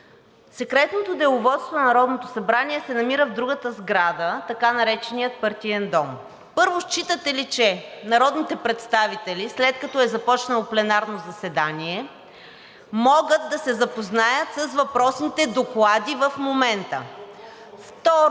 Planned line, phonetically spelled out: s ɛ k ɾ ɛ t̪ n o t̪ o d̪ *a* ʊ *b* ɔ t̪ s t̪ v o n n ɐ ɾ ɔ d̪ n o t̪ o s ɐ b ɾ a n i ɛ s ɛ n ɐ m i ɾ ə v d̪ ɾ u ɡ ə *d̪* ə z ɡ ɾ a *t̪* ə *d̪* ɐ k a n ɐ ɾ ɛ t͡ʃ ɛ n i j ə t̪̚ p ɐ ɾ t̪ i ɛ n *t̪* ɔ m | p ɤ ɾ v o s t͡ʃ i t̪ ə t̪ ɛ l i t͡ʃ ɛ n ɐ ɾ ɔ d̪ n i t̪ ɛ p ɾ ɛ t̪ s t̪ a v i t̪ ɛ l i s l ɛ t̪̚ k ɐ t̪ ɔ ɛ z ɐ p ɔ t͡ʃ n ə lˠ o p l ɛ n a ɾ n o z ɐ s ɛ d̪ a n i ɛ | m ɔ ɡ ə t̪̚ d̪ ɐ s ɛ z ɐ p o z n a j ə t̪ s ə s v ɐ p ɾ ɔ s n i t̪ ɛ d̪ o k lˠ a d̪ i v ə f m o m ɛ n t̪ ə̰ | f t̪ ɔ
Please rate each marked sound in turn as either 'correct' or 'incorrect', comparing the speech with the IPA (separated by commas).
incorrect, incorrect, incorrect, incorrect, incorrect, incorrect